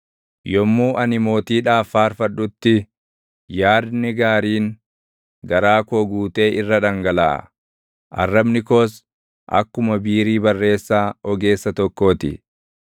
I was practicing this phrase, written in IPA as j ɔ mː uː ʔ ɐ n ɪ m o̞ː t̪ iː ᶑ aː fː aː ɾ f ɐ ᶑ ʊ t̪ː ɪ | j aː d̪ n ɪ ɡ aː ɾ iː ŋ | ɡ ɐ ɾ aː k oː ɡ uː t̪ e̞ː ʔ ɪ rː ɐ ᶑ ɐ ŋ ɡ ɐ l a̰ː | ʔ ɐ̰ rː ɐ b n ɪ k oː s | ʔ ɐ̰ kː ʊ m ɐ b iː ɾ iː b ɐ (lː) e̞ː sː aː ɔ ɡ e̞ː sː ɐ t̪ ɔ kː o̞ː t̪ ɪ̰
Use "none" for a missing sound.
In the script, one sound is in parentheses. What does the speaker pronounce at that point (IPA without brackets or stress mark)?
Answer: rː